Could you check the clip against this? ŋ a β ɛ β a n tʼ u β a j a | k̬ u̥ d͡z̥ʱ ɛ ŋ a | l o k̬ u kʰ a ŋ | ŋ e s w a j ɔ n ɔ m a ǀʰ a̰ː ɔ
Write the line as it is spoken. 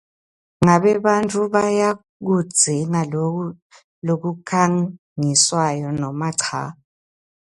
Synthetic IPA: ŋ a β ɛ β a n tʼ u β a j a | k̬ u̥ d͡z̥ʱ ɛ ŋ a | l o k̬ u kʰ a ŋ | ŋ i s w a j ɔ n ɔ m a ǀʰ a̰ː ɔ